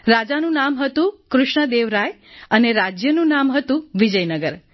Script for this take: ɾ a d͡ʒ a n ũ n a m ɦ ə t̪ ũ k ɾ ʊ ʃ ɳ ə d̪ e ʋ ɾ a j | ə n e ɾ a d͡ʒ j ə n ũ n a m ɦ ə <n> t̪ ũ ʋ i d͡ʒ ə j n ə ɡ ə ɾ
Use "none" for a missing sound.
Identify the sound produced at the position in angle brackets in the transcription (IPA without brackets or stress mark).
none